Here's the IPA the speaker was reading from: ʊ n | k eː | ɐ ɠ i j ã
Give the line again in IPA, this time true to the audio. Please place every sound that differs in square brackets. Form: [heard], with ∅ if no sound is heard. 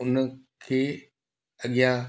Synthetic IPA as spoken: ʊ n | [kʰ] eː | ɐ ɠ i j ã